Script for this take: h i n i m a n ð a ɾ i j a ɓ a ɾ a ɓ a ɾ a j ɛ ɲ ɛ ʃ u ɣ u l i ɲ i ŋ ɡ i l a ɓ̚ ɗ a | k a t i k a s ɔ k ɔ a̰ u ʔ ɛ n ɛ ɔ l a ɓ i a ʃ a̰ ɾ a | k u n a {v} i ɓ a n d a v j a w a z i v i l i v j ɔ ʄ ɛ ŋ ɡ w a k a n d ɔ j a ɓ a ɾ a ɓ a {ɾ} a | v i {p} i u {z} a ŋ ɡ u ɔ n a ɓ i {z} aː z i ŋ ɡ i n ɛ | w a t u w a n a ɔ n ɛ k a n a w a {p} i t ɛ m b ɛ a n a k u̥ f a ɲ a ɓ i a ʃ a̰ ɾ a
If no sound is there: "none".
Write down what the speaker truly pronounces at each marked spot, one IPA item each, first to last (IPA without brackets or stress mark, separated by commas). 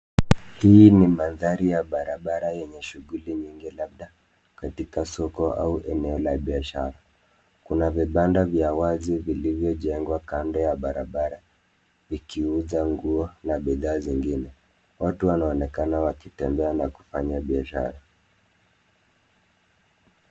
v, ɾ, k, z, ð, k